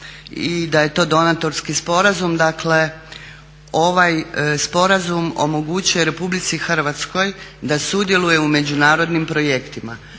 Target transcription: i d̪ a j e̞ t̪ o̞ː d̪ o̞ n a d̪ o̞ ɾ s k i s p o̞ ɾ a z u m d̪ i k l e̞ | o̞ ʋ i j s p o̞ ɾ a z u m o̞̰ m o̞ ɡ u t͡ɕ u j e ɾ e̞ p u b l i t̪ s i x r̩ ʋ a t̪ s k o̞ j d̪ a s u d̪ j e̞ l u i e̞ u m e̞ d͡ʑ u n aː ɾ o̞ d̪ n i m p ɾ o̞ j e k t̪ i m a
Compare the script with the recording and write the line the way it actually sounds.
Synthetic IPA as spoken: i d̪ a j e̞ t̪ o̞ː d̪ o̞ n a t̪ o̞ ɾ s k i s p o̞ ɾ a z u m d̪ a k l e̞ | o̞ ʋ a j s p o̞ ɾ a z u m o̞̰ m o̞ ɡ u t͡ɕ u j e ɾ e̞ p u b l i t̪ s i x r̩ ʋ a t̪ s k o̞ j d̪ a s u d̪ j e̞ l u j e̞ u m e̞ d͡ʑ u n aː ɾ o̞ d̪ n i m p ɾ o̞ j e k t̪ i m a